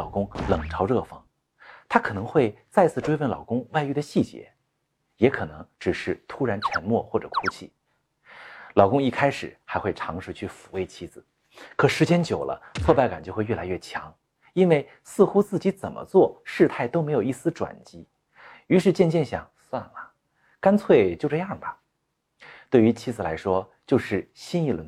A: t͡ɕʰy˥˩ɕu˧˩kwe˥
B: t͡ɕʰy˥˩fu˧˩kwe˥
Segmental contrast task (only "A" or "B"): B